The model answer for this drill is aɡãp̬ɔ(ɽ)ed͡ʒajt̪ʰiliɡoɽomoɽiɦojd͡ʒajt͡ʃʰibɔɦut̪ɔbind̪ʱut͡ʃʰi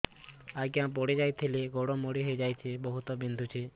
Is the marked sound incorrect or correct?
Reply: correct